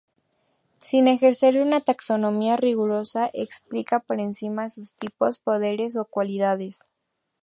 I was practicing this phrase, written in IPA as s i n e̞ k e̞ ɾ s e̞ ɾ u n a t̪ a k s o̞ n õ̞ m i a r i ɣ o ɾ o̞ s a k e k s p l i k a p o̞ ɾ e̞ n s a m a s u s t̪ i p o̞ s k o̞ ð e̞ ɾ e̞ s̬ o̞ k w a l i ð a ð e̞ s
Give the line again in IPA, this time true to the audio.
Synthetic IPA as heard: s i n e̞ x e̞ ɾ s e̞ ɾ u n a t̪ a k s o̞ n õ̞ m i a r i ɣ u ɾ o̞ s a ʔ e k s p l i k a p o̞ ɾ e̞ n s i m a s u s t̪ i p o̞ s p o̞ ð e̞ ɾ e̞ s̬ o̞ k w a l i ð a ð e̞ s

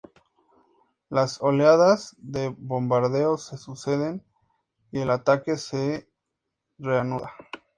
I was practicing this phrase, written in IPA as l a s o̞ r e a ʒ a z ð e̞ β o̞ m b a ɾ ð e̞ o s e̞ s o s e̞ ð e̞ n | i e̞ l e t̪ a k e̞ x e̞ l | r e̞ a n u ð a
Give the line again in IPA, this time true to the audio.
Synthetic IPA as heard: l a s o̞ l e a ð a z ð e̞ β o̞ m b a ɾ ð e̞ o s e̞ s u s e̞ ð e̞ n | i e̞ l a t̪ a k e̞ s e̞ | r e̞ a n u ð a

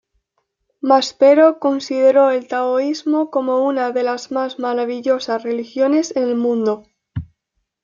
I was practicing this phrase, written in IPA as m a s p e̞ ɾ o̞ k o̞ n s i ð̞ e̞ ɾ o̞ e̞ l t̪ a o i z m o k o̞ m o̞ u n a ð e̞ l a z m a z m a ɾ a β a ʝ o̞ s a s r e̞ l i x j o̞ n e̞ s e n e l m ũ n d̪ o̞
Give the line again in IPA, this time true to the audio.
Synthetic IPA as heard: m a s p e̞ ɾ o̞ k o̞ n s i ð̞ e̞ ɾ o̞ e̞ l t̪ a o i z m o k o̞ m o̞ u n a ð e̞ l a z m a z m a ɾ a β i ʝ o̞ s a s r e̞ l i x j o̞ n e̞ s e n e l m ũ n d̪ o̞

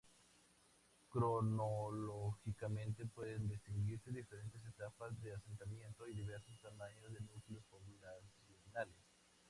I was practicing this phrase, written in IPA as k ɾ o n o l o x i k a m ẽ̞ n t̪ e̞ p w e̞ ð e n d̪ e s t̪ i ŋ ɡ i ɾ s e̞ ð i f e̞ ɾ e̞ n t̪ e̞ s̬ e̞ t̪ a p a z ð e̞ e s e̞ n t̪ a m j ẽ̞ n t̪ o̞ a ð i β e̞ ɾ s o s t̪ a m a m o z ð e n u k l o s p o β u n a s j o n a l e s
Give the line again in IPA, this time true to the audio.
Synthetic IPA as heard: k ɾ o n o l o x i k a m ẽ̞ n t̪ e̞ p w e̞ ð e n d̪ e s t̪ i ŋ ɡ i ɾ s e̞ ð i f e̞ ɾ e̞ n t̪ e̞ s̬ e̞ t̪ a p a z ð e̞ a s e̞ n t̪ a m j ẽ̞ n t̪ o̞ i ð i β e̞ ɾ s o s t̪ a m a ɲ o z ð e n u k l o s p o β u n a s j o n a l e s

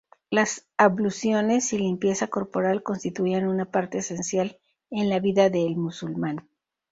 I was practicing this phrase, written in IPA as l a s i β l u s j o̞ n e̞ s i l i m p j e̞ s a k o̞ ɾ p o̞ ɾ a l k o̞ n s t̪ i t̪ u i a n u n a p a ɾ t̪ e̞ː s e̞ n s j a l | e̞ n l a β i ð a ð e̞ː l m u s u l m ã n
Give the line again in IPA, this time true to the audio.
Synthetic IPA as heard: l a s a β l u s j o̞ n e̞ s i l i m p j e̞ s a k o̞ ɾ p o̞ ɾ a l k o̞ n s t̪ i t̪ u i a n u n a p a ɾ t̪ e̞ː s e̞ n s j a l | e̞ n l a β i ð a ð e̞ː l m u s u l m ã n

